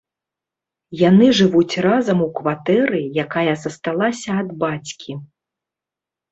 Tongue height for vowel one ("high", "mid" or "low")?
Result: low